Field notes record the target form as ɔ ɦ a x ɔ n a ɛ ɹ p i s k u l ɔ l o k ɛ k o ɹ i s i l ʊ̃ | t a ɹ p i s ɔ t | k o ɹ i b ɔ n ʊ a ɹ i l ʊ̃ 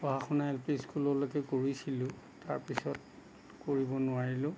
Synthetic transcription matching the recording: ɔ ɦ a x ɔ n a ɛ l p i s k u l ɔ l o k ɛ k o ɹ i s i l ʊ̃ | t a ɹ p i s ɔ t | k o ɹ i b ɔ n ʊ a ɹ i l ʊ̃

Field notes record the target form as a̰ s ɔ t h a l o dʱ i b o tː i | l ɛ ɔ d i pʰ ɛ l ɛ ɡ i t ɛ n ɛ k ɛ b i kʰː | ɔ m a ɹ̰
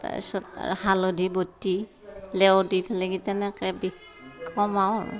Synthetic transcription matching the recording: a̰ s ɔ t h a l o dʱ i b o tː i | l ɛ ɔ d i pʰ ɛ l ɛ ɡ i t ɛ n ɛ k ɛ b i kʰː | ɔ m a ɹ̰

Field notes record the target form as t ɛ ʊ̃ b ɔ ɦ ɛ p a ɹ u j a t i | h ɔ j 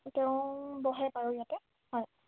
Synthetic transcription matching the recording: t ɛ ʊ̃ b ɔ ɦ ɛ p a ɹ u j a t ɛ | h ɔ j

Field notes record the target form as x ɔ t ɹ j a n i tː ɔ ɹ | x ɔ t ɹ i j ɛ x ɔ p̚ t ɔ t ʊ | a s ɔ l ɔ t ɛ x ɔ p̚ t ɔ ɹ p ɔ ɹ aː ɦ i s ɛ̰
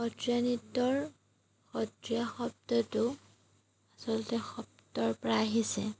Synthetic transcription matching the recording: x ɔ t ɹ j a n i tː ɔ ɹ | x ɔ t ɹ i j a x ɔ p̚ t ɔ t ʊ | a s ɔ l ɔ t ɛ x ɔ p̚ t ɔ ɹ p ɔ ɹ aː ɦ i s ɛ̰

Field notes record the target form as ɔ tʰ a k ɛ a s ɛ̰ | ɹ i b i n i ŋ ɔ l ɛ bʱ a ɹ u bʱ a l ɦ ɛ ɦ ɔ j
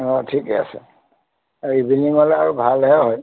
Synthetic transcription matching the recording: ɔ tʰ i k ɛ a s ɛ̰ | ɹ i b i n i ŋ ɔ l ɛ a ɹ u bʱ a l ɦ ɛ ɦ ɔ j

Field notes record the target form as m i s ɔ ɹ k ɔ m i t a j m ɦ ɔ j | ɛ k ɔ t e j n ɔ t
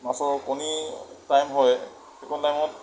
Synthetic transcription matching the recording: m a s ɔ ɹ k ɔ n i t a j m ɦ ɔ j | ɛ k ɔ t a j m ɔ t

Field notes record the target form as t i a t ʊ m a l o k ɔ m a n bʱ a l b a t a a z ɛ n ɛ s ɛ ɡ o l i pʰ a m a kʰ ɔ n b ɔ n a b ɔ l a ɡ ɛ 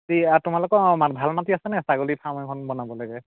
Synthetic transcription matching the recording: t i a t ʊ m a l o k ɔ m a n bʱ a l m a t i a s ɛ n ɛ s a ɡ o l i pʰ a m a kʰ ɔ n b ɔ n a b ɔ l a ɡ ɛ

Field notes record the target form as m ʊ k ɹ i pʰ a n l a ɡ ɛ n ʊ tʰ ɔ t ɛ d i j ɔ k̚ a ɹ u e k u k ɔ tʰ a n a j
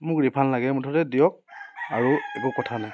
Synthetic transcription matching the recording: m ʊ k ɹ i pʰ a n l a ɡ ɛ m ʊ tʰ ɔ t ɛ d i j ɔ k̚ a ɹ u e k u k ɔ tʰ a n a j

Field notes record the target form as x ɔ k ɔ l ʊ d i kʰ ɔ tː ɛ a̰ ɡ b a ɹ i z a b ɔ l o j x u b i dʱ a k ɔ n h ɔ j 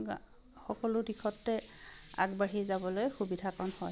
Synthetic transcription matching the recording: x ɔ k ɔ l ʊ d i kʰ ɔ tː ɛ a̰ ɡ b a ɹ i z a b ɔ l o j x u b i dʱ a k ɔ n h ɔ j

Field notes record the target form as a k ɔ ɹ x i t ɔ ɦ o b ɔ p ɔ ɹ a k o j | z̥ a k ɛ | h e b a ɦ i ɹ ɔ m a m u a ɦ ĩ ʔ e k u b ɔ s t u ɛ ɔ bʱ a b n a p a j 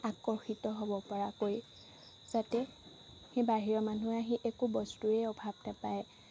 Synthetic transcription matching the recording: a k ɔ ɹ x i t ɔ ɦ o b ɔ p ɔ ɹ a k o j | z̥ a t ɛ | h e b a ɦ i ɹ ɔ m a n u a ɦ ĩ ʔ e k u b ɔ s t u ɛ ɔ bʱ a b n a p a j

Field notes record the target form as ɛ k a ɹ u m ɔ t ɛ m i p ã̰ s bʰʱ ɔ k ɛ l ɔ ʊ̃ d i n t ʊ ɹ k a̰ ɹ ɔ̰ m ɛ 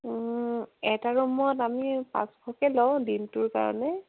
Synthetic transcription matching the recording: ɛ t a ɹ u m ɔ t a m i p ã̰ s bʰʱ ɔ k ɛ l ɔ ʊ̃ d i n t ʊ ɹ k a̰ ɹ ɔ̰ n ɛ

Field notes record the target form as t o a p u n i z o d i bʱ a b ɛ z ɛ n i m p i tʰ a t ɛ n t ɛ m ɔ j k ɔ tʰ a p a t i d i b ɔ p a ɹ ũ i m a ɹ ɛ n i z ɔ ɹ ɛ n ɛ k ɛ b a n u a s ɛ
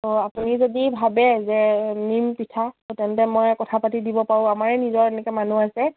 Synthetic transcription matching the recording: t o a p u n i z o d i bʱ a b ɛ z ɛ n i m p i tʰ a t ɛ n t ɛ m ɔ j k ɔ tʰ a p a t i d i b ɔ p a ɹ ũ a m a ɹ ɛ n i z ɔ ɹ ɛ n ɛ k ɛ m a n u a s ɛ

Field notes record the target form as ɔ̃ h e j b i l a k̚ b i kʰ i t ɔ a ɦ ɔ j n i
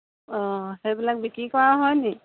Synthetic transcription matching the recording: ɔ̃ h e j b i l a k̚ b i k i k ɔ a ɦ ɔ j n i

